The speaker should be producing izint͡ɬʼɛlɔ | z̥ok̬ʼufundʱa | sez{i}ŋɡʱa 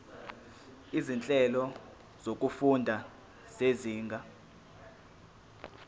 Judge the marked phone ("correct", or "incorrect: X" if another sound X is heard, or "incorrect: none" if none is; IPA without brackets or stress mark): incorrect: iː